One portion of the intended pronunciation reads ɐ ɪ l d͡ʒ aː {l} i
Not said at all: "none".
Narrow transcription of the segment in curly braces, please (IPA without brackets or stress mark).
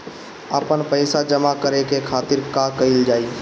none